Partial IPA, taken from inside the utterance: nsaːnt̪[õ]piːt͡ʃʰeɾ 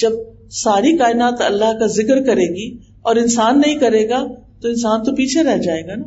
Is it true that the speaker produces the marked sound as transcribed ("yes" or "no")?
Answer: no